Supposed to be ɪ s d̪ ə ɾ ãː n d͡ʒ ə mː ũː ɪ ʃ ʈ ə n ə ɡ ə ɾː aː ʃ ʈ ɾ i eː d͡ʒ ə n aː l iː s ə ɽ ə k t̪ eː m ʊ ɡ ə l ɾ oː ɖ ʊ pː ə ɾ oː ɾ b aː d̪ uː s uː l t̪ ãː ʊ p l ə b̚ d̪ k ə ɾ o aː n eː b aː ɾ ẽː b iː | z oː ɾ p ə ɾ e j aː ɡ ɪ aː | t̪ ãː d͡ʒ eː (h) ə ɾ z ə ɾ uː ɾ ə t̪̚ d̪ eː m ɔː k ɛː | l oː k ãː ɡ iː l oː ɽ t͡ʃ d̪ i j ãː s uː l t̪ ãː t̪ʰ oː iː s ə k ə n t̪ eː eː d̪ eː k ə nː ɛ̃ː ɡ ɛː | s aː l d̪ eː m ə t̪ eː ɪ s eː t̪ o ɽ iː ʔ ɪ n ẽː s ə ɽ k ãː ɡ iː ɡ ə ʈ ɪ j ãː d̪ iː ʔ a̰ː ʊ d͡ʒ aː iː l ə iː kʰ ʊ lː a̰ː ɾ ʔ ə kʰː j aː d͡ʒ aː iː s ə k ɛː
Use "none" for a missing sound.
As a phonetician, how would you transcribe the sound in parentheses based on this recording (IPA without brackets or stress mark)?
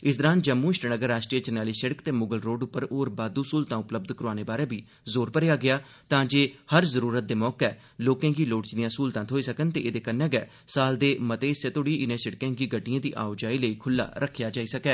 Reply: h